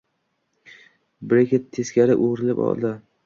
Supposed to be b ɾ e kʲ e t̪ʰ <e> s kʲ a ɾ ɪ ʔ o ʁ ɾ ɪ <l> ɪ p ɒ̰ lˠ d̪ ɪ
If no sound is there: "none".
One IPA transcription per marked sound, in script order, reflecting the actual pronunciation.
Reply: e, l

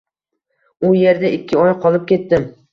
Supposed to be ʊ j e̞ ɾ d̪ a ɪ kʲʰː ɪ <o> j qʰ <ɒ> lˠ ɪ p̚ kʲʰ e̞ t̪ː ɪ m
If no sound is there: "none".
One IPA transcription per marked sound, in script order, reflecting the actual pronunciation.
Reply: ɒ, ɒ

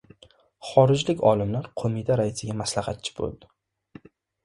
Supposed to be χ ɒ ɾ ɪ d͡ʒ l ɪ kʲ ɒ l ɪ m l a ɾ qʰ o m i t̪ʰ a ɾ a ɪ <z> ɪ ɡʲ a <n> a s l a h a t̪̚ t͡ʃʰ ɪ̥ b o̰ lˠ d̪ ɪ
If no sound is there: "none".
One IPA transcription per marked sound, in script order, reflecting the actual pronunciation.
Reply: s, m

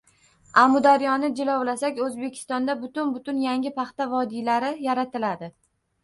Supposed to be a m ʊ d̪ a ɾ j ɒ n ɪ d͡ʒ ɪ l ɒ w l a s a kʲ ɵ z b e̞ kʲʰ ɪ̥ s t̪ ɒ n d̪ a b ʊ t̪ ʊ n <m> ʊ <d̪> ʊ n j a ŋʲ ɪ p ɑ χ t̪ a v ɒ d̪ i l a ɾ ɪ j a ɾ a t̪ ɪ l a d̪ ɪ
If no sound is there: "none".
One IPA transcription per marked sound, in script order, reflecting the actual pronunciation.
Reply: b, t̪

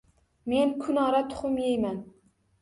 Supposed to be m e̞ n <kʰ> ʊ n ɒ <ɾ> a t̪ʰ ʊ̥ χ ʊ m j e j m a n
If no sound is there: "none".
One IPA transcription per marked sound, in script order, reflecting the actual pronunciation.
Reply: kʰ, ɾ

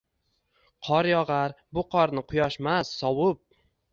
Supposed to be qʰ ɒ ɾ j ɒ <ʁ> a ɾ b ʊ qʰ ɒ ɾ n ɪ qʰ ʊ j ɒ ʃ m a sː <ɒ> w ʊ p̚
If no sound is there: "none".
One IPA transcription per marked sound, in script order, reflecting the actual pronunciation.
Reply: ʁ, ɒ

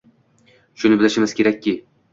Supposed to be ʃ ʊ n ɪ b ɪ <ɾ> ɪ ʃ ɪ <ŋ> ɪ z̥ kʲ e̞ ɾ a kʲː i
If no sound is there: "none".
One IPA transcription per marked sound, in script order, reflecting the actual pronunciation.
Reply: l, m

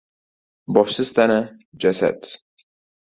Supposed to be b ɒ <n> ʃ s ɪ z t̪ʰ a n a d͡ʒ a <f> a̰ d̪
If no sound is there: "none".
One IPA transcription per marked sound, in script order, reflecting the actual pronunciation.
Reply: none, s

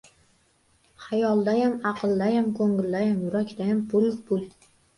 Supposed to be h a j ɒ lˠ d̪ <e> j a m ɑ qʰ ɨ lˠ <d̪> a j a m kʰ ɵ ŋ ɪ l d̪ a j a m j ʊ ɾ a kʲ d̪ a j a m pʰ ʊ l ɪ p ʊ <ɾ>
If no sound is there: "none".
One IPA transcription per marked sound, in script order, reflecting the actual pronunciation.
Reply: a, d̪, l

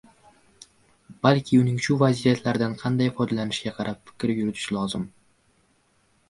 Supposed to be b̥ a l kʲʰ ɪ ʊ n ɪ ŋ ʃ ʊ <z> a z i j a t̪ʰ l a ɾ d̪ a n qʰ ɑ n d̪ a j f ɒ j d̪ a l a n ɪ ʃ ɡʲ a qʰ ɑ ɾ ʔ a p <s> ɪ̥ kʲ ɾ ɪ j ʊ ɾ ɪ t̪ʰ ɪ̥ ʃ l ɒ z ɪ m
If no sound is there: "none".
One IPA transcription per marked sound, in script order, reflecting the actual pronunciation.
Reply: v, f

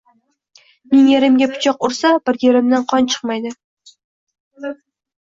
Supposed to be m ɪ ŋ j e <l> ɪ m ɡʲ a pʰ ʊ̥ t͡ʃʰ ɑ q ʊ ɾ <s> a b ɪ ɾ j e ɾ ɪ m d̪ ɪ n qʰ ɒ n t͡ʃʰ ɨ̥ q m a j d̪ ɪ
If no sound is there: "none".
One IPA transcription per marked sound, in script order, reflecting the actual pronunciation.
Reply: ɾ, s

